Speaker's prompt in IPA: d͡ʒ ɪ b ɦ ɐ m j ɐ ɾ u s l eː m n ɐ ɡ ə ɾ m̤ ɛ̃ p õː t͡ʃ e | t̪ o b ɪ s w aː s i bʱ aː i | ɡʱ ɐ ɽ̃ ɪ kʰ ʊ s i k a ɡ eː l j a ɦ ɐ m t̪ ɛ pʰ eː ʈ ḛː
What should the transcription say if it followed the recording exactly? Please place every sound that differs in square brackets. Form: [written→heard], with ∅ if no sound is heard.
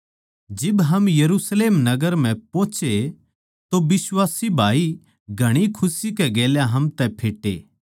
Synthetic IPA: d͡ʒ ɪ b ɦ ɐ m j ɐ ɾ u s l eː m n ɐ ɡ ə ɾ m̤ ɛ̃ p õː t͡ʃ e | t̪ o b ɪ s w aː s i bʱ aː i | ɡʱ ɐ ɽ̃ [ɪ→i] kʰ ʊ s i k [a→ɛ] ɡ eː l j a ɦ ɐ m t̪ ɛ pʰ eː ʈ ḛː